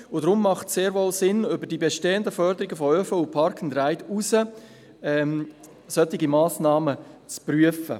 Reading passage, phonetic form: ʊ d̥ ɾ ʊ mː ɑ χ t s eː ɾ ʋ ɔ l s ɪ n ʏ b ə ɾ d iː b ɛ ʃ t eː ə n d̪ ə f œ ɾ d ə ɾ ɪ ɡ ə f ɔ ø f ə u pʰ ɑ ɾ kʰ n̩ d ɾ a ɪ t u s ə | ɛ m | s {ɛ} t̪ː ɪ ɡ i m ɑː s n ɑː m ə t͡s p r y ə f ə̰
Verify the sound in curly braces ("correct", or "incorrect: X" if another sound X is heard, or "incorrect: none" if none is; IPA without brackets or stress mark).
incorrect: œ